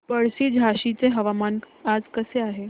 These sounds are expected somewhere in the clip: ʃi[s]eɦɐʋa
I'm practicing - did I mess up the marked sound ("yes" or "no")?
yes